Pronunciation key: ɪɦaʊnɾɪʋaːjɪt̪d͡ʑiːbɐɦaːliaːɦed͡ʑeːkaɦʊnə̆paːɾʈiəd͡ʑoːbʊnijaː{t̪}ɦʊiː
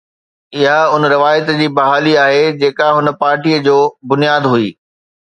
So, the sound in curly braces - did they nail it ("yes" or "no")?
no